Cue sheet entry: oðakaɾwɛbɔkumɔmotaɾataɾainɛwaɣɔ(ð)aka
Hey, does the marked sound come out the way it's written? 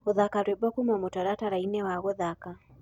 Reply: yes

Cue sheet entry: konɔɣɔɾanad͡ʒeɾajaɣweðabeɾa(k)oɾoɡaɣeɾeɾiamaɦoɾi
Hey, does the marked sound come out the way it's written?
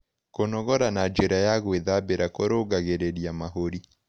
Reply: yes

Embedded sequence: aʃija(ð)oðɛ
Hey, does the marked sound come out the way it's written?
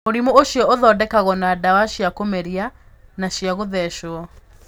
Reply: no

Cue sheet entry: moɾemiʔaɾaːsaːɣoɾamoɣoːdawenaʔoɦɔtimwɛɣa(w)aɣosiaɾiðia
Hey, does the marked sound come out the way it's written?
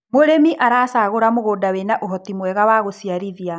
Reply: yes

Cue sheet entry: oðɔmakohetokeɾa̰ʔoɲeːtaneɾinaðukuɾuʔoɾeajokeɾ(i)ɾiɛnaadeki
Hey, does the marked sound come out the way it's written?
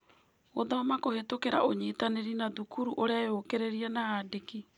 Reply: no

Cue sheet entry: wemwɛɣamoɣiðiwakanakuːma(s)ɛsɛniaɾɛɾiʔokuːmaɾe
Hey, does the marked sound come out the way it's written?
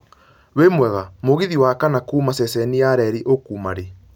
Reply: yes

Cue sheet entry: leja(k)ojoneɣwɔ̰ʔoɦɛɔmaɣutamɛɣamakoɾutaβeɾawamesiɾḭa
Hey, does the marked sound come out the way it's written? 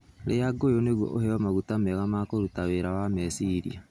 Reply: no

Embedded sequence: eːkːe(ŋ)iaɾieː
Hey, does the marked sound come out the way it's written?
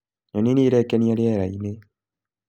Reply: no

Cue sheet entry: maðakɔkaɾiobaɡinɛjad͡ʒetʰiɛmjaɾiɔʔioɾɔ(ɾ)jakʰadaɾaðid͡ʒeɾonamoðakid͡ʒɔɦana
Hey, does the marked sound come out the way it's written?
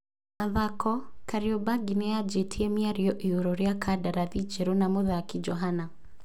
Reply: yes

